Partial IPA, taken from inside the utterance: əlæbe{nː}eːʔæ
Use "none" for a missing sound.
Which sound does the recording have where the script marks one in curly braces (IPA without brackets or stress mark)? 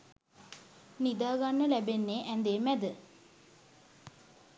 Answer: nː